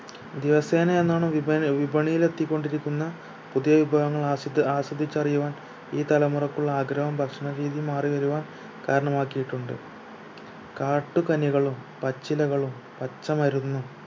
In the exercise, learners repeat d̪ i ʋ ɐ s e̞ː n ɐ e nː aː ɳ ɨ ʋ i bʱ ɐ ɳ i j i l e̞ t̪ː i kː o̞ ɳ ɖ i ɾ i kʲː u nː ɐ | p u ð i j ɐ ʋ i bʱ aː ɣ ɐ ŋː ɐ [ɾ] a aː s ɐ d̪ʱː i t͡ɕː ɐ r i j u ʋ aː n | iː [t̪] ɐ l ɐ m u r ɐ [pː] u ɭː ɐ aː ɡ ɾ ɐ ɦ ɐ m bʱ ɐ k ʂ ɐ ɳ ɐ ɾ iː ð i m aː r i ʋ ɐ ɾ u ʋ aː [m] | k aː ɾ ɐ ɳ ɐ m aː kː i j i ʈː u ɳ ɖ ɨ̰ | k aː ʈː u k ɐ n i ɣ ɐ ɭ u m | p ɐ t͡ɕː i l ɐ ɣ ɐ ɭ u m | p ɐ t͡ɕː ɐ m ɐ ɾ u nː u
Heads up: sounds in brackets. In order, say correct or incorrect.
incorrect: ɭ, correct, incorrect: kː, incorrect: n

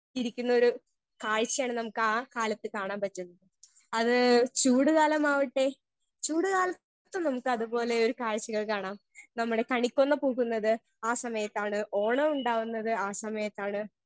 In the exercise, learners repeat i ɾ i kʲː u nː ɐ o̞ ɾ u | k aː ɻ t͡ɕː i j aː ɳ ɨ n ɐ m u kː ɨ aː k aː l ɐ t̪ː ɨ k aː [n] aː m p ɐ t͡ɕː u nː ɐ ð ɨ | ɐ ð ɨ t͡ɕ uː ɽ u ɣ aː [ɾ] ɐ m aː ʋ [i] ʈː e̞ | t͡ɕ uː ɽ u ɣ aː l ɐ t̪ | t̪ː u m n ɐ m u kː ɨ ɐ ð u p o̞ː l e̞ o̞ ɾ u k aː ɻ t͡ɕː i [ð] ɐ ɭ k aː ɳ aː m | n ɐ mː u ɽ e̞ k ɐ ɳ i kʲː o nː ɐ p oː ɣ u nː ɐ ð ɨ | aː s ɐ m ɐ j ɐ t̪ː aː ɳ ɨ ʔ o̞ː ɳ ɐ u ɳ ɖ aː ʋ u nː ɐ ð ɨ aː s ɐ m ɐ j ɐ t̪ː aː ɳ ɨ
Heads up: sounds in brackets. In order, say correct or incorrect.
incorrect: ɳ, incorrect: l, correct, incorrect: ɣ

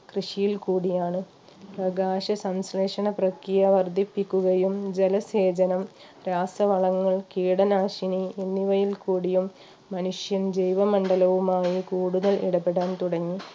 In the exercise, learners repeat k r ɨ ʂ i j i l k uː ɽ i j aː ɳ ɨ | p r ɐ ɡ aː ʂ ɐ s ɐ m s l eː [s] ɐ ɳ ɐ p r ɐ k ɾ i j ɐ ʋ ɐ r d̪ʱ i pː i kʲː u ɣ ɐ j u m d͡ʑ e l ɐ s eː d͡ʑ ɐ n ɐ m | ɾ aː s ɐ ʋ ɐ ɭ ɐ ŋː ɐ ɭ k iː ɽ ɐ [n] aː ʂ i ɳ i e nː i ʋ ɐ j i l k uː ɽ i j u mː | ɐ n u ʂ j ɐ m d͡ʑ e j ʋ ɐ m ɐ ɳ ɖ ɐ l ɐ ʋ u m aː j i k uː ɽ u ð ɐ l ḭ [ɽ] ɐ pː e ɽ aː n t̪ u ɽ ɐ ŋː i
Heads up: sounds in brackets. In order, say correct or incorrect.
incorrect: ʂ, correct, correct

